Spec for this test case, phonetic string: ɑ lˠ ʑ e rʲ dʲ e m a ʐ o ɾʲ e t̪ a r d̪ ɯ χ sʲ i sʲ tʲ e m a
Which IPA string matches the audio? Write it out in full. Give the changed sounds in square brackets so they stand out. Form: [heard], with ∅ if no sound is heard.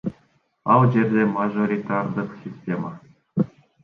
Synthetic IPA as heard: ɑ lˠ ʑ e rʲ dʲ e m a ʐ o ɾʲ [i] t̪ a r d̪ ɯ χ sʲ i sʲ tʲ e m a